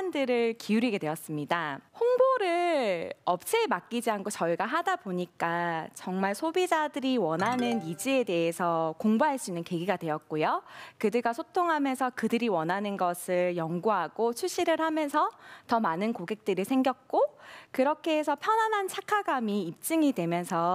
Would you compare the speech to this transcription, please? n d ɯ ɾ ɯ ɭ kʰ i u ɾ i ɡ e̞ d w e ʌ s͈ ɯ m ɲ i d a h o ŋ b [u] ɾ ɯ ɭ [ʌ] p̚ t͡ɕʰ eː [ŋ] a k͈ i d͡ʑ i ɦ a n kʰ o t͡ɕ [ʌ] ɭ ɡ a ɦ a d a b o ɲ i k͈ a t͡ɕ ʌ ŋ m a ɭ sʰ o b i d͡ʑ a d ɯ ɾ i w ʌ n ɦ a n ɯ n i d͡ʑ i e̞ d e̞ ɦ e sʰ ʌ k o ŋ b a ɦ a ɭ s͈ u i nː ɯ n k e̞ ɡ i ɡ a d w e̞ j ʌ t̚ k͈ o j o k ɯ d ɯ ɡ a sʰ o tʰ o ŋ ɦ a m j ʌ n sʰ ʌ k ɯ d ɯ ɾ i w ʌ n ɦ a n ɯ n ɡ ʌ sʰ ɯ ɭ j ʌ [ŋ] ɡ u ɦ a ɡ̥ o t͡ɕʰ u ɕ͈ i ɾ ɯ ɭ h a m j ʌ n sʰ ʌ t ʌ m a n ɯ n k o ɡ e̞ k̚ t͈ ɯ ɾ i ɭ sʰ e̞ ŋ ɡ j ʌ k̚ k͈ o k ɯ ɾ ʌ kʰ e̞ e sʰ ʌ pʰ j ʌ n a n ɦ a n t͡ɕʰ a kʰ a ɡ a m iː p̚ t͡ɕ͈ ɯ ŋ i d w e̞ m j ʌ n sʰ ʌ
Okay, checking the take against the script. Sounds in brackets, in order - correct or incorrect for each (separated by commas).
incorrect, correct, incorrect, correct, correct